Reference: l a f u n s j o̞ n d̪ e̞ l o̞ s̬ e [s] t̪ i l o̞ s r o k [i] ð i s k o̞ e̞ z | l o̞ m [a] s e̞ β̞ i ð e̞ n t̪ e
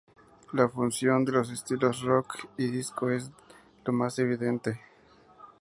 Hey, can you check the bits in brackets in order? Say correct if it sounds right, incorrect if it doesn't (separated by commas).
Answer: correct, correct, correct